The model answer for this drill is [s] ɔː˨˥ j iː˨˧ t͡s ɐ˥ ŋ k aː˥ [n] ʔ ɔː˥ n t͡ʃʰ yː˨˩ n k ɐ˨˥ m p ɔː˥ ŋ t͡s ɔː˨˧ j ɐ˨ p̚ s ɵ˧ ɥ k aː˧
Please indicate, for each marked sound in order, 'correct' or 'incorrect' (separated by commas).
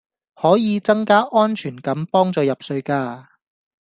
incorrect, incorrect